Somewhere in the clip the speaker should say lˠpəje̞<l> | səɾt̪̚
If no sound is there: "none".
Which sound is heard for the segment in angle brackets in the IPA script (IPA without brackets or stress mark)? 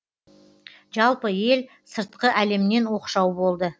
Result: l